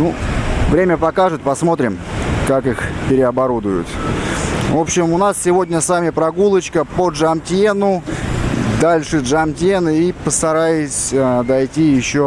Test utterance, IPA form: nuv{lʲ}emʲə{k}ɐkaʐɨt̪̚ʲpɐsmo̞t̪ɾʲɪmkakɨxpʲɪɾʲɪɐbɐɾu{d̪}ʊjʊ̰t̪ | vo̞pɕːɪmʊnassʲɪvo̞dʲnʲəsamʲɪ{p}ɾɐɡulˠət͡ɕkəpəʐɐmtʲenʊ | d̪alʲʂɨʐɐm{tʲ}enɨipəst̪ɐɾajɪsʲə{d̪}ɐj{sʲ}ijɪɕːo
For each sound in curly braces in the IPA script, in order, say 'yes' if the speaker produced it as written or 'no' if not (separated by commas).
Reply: no, no, yes, yes, yes, yes, no